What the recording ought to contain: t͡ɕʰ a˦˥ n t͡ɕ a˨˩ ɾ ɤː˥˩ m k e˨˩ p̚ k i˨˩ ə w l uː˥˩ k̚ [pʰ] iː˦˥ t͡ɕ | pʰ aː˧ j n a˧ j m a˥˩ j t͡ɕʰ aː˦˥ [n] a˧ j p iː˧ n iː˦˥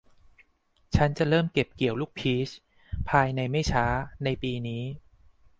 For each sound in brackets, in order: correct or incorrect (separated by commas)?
correct, correct